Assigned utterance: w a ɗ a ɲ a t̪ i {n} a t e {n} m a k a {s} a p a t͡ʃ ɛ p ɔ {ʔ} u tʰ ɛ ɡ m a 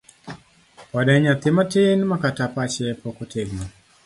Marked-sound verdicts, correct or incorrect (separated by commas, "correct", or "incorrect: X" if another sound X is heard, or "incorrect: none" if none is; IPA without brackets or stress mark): incorrect: m, correct, incorrect: t, incorrect: k